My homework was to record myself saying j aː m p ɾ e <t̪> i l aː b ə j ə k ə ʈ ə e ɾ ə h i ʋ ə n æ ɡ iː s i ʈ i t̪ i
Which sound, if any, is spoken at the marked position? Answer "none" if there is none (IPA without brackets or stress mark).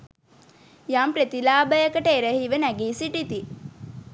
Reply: t̪